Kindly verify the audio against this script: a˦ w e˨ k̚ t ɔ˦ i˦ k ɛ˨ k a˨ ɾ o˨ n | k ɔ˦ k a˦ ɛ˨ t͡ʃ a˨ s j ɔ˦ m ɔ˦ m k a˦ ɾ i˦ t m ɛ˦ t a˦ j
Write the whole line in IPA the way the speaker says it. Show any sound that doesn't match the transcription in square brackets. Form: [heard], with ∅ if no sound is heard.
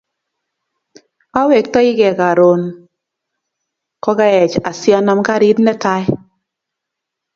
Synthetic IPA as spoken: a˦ w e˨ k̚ t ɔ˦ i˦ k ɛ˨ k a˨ ɾ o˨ n | k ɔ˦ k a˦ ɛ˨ t͡ʃ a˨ s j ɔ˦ [n] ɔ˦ m k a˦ ɾ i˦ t [n] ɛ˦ t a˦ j